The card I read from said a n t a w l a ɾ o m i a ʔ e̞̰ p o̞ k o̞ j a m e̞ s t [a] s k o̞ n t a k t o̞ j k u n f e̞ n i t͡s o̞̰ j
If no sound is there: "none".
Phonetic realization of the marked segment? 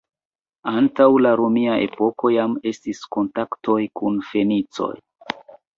i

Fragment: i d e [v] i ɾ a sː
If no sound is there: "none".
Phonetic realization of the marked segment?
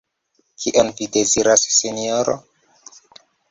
z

